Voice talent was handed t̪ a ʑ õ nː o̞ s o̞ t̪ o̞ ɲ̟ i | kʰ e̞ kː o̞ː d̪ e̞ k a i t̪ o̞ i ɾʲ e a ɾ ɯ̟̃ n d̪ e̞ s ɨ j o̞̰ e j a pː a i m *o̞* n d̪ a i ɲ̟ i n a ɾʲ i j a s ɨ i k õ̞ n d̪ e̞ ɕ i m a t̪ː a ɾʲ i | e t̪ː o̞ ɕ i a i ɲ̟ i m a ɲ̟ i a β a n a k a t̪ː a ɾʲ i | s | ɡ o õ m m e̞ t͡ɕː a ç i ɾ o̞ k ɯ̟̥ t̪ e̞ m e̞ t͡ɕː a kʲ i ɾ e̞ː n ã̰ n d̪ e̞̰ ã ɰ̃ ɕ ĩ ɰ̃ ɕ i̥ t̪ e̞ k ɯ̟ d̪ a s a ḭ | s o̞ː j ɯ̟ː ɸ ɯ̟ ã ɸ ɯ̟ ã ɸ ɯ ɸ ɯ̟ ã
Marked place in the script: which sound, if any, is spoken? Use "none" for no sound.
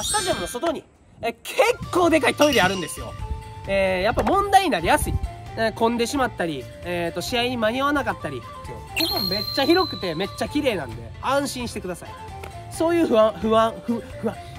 õ̞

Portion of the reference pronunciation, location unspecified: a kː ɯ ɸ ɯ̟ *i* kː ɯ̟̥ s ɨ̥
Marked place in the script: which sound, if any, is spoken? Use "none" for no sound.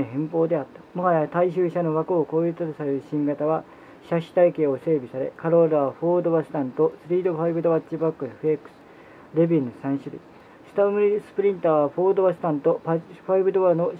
e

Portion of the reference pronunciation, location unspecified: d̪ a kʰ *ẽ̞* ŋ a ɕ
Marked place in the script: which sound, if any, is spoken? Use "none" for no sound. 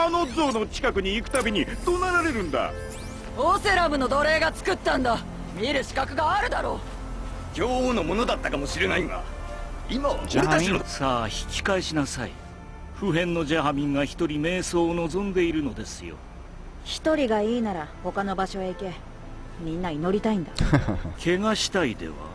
e̞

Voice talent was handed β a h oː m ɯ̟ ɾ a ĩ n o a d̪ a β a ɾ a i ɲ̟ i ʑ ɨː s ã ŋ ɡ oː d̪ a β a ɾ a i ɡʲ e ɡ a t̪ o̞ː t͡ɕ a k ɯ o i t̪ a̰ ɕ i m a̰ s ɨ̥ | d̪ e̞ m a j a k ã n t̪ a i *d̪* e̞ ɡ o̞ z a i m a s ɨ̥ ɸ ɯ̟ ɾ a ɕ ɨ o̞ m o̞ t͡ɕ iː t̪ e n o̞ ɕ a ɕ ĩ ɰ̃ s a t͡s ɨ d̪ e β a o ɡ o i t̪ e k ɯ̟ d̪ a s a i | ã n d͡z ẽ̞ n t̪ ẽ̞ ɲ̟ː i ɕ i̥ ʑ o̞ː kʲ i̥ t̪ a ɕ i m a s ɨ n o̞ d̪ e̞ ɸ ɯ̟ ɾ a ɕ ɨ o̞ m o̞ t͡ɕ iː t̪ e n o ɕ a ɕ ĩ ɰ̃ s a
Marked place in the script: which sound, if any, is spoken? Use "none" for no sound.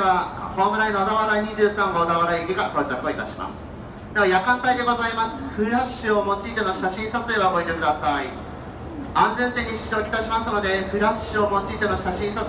d̪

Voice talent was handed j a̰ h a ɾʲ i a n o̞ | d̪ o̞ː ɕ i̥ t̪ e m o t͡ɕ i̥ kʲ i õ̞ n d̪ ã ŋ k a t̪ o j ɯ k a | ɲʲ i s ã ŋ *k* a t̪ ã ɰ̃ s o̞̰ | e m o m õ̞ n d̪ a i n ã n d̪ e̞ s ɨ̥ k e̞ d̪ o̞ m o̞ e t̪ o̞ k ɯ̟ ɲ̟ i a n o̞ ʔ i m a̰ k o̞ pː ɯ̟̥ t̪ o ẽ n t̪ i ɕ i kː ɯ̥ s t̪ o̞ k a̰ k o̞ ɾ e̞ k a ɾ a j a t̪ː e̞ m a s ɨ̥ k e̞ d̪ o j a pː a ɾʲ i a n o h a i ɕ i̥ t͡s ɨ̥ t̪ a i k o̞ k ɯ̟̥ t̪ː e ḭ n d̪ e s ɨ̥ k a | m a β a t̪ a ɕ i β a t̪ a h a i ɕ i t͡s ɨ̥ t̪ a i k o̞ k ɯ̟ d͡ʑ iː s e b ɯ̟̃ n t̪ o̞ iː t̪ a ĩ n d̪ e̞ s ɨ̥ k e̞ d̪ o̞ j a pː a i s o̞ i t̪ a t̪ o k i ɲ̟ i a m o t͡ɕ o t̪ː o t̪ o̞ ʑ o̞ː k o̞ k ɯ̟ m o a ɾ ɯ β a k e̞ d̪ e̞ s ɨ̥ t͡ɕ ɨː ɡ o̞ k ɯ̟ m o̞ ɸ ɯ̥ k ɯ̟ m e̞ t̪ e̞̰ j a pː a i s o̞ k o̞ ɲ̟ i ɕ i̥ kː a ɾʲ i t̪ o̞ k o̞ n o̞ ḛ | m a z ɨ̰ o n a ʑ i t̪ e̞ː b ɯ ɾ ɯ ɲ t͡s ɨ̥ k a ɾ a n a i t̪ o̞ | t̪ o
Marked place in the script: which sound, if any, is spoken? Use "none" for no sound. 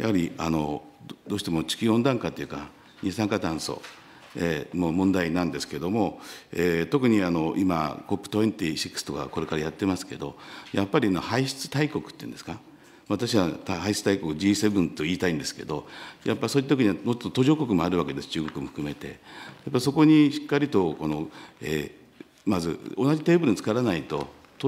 k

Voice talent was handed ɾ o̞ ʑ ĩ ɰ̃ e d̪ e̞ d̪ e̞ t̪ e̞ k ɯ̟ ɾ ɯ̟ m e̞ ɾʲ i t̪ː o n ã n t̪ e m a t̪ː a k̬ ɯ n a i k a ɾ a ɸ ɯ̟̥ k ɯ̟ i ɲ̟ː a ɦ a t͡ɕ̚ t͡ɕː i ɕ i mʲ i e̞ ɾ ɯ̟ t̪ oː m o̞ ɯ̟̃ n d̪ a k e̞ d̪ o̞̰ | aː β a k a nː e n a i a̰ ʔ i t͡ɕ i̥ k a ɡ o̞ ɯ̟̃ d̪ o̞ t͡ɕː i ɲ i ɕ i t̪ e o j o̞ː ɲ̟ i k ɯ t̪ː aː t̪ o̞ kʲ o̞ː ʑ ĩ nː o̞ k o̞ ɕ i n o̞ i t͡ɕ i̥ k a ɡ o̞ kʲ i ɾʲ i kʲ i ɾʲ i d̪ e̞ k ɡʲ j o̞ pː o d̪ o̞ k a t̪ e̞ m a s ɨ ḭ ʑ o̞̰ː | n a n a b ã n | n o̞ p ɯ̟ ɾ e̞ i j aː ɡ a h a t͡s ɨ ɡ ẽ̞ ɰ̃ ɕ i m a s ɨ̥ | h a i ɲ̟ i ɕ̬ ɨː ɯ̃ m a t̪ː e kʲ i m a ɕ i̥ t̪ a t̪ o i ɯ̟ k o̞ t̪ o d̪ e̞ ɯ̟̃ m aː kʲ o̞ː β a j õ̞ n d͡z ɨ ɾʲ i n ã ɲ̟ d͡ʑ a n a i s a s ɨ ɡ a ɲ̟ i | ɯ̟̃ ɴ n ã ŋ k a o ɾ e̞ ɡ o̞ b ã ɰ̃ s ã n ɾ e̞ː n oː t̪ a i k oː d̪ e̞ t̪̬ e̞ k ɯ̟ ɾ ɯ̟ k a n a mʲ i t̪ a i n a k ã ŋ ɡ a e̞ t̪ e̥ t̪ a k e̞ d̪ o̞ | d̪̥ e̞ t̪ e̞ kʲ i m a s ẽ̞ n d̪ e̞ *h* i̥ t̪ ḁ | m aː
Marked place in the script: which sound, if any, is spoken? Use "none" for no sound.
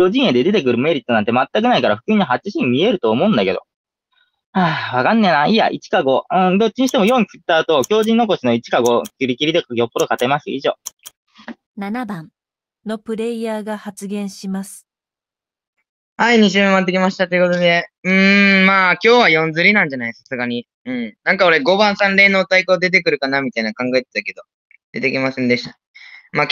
ɕ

